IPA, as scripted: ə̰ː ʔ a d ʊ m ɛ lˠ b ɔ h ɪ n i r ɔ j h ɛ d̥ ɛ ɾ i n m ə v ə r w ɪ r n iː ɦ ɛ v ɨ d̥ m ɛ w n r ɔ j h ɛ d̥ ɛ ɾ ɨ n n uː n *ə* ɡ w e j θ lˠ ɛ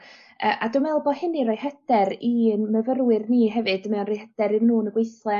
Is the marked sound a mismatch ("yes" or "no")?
no